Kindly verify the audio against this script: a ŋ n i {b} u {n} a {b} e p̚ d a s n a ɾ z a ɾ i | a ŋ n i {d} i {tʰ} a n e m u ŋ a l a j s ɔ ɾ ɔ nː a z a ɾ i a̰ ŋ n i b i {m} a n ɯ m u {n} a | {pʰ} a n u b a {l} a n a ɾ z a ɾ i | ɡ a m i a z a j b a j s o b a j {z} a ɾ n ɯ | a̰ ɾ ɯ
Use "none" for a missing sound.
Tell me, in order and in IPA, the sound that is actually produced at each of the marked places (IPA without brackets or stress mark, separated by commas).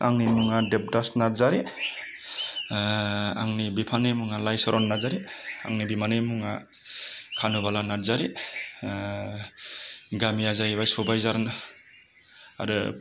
m, ŋ, d, b, pʰ, m, ŋ, kʰ, l, z